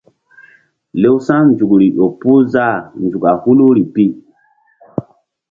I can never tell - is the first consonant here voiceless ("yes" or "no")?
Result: no